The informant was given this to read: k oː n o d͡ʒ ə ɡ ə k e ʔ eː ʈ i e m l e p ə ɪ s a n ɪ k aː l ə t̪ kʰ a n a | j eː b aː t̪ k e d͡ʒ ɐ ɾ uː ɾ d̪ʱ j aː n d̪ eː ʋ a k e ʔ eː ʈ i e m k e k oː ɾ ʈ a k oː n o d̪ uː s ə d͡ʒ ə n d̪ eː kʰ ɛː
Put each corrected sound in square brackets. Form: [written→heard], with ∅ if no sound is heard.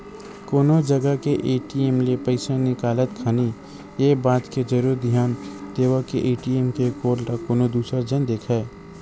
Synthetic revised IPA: k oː n o d͡ʒ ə ɡ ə k e ʔ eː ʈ i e m l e p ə ɪ s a n ɪ k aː l ə t̪ kʰ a n [a→i] | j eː b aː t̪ k e d͡ʒ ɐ ɾ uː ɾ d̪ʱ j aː n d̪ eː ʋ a k e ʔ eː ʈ i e m k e k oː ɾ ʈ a k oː n o d̪ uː s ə d͡ʒ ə n d̪ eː kʰ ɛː